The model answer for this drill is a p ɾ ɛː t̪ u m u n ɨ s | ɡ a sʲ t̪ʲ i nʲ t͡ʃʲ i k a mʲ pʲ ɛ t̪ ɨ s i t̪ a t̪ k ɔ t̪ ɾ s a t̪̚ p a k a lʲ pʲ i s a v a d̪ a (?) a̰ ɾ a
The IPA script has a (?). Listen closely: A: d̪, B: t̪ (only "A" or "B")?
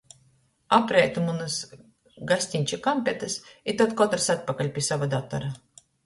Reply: B